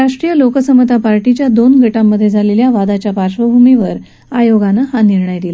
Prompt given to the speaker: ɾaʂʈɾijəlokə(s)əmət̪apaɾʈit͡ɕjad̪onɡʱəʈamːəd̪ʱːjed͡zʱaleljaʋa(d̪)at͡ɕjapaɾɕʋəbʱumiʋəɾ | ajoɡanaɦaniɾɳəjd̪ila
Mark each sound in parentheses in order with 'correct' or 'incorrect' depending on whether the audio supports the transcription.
correct, correct

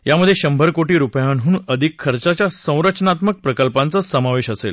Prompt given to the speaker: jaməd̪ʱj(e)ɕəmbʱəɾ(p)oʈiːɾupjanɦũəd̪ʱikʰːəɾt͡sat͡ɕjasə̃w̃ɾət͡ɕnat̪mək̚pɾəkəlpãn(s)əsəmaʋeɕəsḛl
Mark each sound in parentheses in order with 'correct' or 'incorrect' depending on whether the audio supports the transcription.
correct, incorrect: k, incorrect: t͡s

